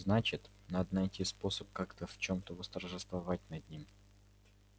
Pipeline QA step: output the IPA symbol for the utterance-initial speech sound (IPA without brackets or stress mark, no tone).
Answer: z